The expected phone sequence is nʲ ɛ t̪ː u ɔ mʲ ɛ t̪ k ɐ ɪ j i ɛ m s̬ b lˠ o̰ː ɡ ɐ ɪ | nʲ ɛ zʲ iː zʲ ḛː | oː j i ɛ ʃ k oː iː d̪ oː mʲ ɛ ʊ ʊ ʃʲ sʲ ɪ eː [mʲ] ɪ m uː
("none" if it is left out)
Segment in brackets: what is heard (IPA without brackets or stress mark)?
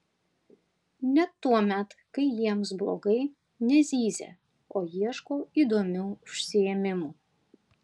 mʲ